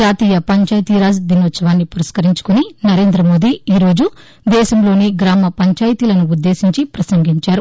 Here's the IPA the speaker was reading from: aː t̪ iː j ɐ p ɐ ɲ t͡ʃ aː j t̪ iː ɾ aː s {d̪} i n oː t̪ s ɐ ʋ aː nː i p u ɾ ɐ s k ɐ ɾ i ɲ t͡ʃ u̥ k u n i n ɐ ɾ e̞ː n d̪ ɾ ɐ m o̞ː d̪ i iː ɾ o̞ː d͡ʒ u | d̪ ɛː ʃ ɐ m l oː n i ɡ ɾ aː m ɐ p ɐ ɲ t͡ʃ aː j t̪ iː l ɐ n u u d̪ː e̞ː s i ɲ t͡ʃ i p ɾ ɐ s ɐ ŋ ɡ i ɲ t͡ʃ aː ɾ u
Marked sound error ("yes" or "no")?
no